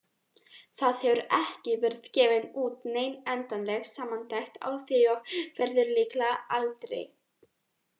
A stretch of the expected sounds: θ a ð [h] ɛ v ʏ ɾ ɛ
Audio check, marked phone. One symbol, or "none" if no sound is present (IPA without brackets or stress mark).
h